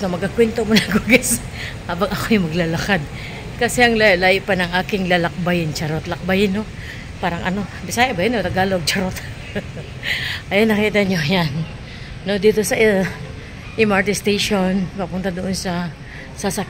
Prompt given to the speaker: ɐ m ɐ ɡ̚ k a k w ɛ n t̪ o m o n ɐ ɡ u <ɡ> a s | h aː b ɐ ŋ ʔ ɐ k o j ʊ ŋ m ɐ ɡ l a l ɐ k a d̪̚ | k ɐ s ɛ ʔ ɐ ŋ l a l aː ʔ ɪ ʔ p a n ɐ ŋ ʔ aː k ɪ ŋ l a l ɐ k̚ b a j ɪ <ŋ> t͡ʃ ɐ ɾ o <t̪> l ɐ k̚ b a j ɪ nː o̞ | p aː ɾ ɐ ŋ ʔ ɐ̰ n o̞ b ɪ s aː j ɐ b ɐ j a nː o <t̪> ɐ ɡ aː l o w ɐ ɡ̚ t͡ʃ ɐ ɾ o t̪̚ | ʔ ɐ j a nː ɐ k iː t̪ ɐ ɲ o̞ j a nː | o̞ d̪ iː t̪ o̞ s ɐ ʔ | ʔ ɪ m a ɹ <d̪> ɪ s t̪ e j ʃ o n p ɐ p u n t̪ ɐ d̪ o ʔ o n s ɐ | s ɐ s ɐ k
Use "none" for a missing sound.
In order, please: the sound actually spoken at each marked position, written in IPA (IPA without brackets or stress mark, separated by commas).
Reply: ɡ, n, t̪, t̪, t̪